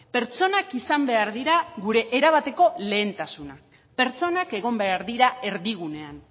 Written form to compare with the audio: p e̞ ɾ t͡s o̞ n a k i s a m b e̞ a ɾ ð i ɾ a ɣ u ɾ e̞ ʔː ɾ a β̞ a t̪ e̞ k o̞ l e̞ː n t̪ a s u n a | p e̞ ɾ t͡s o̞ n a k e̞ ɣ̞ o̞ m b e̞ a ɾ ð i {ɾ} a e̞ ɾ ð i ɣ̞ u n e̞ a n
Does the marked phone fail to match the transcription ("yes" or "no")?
no